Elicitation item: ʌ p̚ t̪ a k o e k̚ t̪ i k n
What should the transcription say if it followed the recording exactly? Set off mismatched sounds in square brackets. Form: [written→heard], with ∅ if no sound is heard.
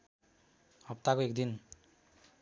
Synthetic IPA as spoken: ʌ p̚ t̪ a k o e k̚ [t̪→d̪] i [k→∅] n